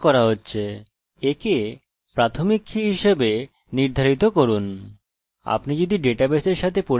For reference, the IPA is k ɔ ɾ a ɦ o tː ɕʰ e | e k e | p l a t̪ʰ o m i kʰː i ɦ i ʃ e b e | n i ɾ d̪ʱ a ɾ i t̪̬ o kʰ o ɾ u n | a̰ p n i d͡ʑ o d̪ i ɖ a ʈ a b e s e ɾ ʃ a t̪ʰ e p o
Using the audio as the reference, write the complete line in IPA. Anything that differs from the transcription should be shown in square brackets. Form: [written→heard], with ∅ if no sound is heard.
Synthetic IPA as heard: k ɔ ɾ a ɦ o tː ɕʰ e | e k e | p [l→ɾ] a t̪ʰ o m i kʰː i ɦ i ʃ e b e | n i ɾ d̪ʱ a ɾ i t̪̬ o [kʰ→k] o ɾ u n | a̰ p n i d͡ʑ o d̪ i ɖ [a→e] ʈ a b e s e ɾ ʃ a t̪ʰ e p o